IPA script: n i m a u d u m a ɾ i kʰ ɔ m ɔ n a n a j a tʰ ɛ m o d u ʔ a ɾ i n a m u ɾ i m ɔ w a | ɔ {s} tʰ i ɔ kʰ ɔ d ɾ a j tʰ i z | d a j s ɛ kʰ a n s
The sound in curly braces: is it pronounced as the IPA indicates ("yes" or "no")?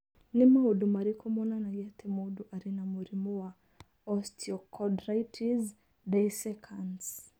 yes